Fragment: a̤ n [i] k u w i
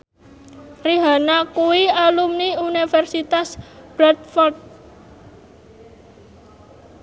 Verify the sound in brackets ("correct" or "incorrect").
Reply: incorrect